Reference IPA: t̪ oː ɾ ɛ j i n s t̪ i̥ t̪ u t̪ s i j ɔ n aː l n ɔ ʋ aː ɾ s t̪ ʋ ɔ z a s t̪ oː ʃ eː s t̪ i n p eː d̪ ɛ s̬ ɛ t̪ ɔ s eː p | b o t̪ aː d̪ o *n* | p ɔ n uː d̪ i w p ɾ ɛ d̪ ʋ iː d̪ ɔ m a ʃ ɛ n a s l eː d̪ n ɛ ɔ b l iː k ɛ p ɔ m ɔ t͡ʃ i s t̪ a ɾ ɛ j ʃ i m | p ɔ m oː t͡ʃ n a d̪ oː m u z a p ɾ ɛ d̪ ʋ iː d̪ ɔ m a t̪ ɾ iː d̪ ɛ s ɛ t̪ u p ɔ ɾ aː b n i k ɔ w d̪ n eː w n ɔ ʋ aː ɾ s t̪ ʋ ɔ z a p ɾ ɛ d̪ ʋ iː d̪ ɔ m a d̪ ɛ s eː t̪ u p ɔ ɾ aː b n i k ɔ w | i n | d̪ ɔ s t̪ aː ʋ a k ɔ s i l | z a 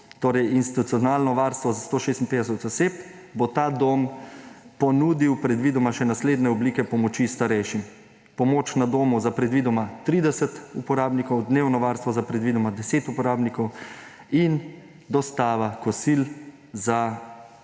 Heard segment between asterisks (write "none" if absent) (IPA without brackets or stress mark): m